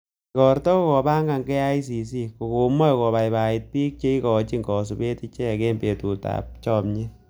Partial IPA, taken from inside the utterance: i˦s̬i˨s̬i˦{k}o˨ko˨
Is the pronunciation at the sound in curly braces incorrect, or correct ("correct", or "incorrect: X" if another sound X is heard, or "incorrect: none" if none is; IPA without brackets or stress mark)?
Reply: correct